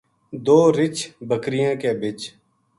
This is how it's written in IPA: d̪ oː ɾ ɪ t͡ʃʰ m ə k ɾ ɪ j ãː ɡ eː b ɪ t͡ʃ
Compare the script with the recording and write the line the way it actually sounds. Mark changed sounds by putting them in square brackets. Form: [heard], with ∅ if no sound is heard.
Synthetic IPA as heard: d̪ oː ɾ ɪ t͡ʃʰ [b] ə k ɾ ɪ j ãː [k] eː b ɪ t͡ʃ